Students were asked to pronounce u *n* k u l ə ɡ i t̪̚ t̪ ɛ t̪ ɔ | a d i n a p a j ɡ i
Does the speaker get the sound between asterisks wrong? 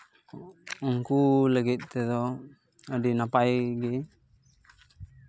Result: yes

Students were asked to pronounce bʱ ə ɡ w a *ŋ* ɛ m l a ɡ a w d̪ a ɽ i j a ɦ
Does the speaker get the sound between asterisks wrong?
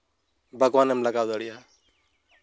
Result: yes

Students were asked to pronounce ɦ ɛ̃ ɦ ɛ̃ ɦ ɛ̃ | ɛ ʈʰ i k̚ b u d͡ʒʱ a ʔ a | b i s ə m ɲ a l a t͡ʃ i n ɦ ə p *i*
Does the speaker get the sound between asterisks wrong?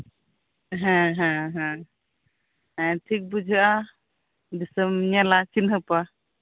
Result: yes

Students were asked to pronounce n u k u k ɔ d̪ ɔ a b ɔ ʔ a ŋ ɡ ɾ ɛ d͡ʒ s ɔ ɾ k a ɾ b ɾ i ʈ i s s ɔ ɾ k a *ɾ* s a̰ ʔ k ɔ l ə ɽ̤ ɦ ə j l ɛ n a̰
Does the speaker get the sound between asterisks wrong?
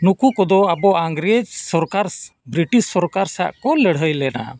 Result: no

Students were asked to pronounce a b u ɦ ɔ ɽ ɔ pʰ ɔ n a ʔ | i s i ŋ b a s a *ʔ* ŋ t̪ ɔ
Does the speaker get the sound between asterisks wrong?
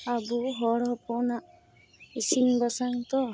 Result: yes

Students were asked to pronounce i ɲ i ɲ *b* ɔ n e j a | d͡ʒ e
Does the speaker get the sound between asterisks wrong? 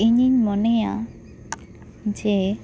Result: yes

